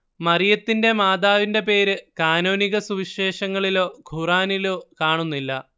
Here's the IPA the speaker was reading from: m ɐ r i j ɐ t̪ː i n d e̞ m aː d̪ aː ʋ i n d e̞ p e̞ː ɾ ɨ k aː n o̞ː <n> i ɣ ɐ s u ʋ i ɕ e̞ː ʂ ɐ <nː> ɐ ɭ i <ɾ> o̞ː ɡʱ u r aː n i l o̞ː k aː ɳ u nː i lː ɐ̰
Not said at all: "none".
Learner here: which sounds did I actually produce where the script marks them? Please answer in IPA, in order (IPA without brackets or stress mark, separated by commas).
n, ŋː, l